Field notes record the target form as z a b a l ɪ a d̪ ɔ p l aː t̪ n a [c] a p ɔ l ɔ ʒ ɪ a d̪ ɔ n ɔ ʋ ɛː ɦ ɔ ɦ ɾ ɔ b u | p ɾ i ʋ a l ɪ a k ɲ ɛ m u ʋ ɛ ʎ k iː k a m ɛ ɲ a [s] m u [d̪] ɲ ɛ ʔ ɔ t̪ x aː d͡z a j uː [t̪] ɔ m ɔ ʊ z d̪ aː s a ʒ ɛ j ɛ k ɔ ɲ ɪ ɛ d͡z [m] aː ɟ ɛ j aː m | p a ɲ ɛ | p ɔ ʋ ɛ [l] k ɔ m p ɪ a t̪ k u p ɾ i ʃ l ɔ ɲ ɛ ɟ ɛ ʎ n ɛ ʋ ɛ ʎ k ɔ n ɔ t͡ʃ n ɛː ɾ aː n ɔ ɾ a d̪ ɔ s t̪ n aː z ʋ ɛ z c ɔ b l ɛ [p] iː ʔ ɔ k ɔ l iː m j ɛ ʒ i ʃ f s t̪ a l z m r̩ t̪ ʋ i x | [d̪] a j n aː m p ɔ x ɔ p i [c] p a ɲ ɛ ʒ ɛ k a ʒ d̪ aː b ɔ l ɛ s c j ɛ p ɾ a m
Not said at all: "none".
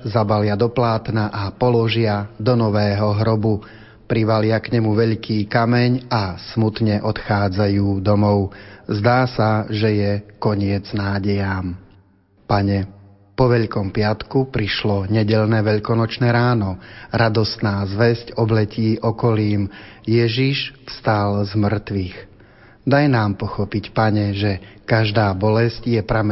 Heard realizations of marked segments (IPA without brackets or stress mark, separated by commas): ʔ, s, t̪, d̪, n, ʎ, c, d̪, c